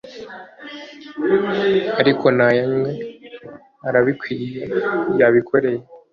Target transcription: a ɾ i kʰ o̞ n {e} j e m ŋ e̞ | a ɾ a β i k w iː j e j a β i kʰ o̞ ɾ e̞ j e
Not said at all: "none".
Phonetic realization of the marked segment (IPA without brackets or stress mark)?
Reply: a